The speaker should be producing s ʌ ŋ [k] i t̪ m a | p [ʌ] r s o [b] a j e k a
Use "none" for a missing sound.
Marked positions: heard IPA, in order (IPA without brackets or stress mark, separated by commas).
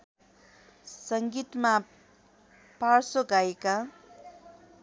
ɡ, a, ɡ